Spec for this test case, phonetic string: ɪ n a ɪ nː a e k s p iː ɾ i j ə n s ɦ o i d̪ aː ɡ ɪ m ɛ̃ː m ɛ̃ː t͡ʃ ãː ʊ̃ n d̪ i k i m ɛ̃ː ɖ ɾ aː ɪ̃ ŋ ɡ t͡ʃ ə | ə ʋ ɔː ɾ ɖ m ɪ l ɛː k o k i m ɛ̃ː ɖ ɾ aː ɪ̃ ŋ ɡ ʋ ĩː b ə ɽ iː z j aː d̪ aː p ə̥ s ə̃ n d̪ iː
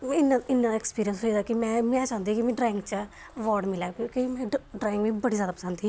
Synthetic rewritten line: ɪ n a ɪ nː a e k s p iː ɾ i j ə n s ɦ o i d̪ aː k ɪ m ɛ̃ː m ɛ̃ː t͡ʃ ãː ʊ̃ n d̪ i k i m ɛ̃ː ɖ ɾ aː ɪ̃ ŋ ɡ t͡ʃ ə | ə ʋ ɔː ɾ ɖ m ɪ l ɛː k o k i m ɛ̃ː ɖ ɾ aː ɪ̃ ŋ ɡ ʋ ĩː b ə ɽ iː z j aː d̪ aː p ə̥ s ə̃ n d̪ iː